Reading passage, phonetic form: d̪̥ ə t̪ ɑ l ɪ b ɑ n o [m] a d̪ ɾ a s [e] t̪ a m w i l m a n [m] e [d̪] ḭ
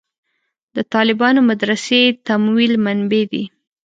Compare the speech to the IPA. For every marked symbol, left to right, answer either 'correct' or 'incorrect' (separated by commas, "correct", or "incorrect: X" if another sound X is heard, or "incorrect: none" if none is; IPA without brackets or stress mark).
correct, correct, incorrect: b, correct